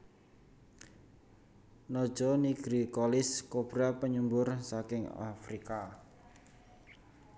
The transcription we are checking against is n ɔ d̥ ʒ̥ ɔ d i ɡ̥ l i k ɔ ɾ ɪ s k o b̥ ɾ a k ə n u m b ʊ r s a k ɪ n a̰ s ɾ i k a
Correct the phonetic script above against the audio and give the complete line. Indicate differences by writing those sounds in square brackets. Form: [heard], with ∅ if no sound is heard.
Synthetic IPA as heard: n ɔ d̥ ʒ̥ ɔ [n] i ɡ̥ [ɾ] i k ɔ [l] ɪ s k o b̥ ɾ a [p] ə [ɲ] u m b ʊ r s a k ɪ [ŋ] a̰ [f] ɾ i k a